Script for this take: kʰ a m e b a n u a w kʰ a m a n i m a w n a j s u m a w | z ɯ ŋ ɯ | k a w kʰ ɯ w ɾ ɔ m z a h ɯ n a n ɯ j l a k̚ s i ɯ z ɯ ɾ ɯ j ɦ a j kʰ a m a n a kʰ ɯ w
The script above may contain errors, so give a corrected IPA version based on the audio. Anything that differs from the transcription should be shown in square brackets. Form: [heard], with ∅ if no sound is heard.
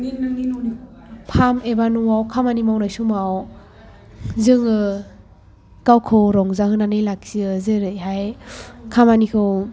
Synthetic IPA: [pʰ] a m e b a n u a w kʰ a m a n i m a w n a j s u m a w | z ɯ ŋ ɯ | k a w kʰ ɯ w ɾ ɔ [ŋ] z a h ɯ n a n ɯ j l a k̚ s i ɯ z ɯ ɾ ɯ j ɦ a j kʰ a m a n [i] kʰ ɯ w